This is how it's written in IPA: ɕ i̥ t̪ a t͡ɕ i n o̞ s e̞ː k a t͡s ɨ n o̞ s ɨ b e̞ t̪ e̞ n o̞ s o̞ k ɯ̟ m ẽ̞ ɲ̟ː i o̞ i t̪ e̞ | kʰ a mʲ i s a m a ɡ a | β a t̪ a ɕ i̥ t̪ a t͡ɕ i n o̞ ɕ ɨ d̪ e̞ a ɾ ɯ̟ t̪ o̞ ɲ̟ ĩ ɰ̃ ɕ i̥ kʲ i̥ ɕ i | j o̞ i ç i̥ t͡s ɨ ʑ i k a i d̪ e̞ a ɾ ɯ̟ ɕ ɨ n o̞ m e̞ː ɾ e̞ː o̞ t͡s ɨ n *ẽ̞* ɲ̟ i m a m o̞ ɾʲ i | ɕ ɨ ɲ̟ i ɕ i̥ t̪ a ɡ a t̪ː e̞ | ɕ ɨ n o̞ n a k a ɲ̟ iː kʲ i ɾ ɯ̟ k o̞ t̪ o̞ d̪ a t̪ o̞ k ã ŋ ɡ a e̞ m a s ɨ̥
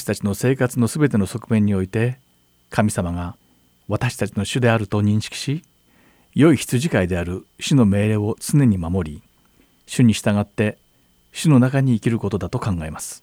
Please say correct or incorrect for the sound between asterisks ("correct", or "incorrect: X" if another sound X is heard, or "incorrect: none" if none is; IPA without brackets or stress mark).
incorrect: e̞